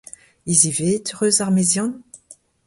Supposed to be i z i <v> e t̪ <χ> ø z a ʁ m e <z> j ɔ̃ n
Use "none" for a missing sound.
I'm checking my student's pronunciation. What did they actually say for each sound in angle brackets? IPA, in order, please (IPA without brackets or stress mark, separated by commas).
v, ʁ, z